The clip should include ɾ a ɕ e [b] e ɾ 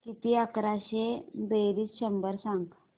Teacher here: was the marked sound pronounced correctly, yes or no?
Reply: yes